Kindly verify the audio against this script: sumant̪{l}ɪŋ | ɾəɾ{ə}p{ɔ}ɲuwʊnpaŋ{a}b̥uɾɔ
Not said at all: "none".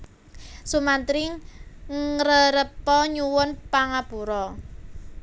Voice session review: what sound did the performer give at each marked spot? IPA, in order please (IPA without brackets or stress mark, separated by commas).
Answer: ɾ, ə, ɔ, a